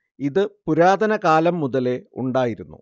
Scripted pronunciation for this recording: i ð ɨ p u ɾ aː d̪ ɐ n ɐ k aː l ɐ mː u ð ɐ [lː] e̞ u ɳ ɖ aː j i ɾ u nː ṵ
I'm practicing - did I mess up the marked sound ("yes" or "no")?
yes